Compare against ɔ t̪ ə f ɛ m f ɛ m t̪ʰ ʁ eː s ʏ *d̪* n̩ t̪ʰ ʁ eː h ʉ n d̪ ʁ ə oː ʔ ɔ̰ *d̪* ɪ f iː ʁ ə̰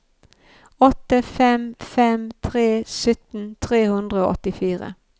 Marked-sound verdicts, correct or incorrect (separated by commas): incorrect, incorrect